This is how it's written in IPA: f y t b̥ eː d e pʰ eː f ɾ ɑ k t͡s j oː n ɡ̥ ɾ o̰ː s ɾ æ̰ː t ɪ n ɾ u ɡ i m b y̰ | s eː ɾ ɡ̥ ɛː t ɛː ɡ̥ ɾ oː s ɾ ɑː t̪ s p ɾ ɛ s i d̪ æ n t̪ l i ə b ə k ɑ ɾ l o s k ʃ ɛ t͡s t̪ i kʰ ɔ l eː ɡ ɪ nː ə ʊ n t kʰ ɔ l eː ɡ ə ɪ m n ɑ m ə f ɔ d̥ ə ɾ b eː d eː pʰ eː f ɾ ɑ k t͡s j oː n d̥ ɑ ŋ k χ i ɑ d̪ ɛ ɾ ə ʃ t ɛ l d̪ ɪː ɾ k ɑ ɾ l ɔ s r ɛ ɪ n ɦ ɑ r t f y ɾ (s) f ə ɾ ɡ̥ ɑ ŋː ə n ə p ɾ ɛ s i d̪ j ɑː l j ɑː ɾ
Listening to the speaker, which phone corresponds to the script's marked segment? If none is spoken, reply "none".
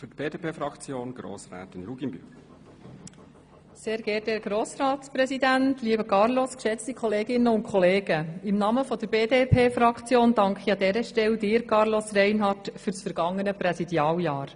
s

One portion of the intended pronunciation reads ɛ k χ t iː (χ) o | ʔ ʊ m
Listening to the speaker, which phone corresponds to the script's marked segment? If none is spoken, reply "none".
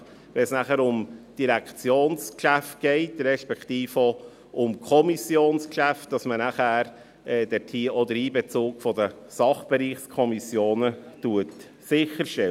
f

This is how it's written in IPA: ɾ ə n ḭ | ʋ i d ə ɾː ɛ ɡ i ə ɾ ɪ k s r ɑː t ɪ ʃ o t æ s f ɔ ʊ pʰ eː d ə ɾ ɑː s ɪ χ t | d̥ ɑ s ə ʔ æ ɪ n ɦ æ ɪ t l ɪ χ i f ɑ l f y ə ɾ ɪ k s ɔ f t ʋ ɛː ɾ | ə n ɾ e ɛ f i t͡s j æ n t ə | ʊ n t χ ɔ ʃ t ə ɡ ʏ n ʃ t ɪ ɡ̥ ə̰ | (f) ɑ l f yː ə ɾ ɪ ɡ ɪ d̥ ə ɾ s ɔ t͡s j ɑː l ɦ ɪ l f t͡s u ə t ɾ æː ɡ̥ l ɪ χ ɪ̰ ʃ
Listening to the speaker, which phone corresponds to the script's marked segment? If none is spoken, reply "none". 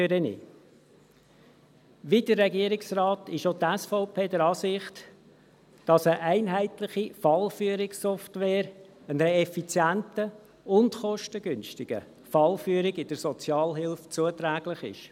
f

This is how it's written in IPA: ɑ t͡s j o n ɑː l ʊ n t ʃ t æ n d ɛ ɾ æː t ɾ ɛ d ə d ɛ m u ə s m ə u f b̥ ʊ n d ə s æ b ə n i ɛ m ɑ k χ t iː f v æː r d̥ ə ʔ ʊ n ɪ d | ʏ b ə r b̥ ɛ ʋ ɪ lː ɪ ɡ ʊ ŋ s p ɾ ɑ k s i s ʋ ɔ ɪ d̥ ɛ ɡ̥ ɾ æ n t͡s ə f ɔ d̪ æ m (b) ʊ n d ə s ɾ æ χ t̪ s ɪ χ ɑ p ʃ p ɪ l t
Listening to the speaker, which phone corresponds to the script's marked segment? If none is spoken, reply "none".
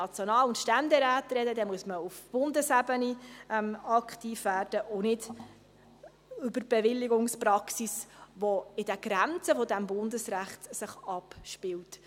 b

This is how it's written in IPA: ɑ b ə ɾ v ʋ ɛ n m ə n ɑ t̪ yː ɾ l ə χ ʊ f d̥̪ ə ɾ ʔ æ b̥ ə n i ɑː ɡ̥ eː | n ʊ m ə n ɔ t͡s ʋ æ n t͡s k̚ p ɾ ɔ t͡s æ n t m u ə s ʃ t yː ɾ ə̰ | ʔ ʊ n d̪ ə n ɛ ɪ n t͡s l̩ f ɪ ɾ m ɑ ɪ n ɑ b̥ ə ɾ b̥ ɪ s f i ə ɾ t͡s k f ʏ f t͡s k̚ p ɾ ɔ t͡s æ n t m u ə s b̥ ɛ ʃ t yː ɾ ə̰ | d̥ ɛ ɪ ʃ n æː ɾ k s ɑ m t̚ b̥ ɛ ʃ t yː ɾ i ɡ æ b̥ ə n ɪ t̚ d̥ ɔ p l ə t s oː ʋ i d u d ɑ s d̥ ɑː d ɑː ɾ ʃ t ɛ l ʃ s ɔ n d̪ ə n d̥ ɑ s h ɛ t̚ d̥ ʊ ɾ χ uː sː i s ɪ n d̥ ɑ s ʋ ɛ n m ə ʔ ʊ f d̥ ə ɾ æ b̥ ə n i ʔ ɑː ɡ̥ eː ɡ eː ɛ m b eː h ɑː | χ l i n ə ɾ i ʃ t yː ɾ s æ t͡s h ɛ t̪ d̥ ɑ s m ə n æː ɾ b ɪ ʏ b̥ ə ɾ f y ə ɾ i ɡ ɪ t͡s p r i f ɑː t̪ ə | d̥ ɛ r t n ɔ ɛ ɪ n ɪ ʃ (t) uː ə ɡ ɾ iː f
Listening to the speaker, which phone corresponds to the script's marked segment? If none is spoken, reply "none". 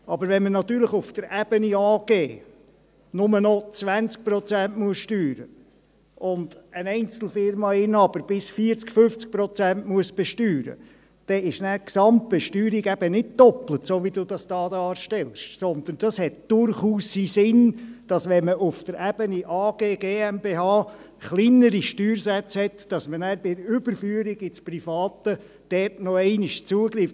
t͡s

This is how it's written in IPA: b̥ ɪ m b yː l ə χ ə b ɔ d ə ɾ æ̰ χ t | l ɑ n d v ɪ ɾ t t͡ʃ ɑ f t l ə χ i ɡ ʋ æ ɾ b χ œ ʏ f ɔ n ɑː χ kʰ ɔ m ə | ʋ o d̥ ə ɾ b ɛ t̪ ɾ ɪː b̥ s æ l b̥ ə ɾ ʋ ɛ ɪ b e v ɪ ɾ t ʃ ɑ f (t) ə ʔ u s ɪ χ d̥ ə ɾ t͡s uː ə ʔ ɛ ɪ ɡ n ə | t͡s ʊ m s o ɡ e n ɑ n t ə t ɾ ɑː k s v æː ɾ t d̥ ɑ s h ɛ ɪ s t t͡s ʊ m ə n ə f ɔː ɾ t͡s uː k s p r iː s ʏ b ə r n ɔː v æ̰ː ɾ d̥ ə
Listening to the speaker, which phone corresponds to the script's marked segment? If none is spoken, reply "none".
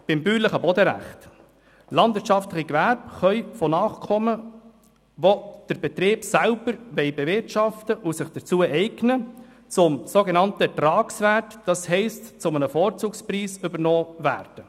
t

